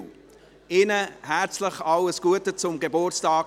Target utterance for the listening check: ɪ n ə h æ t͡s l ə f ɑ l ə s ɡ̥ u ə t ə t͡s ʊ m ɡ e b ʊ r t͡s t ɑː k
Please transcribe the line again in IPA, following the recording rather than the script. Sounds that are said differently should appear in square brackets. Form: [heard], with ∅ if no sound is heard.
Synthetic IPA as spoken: ɪ n ə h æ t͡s l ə [χ] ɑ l ə s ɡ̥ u ə t ə t͡s ʊ m ɡ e b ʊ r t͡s t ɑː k